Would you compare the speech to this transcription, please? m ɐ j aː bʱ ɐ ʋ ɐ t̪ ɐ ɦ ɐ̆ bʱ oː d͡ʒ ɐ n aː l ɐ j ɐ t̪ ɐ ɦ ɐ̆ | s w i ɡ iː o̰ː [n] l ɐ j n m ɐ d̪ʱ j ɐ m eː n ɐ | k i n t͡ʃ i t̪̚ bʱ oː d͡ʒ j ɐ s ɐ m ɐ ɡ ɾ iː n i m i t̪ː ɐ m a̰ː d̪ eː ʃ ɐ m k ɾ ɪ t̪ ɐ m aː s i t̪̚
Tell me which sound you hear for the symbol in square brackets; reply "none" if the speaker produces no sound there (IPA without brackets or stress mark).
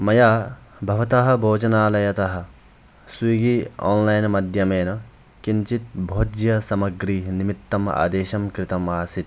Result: n